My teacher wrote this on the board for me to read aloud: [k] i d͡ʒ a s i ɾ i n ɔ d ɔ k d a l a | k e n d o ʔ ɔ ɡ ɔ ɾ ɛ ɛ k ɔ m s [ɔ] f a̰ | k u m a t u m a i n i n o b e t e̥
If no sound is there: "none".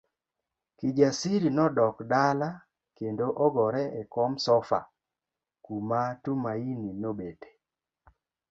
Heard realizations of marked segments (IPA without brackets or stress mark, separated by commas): k, ɔ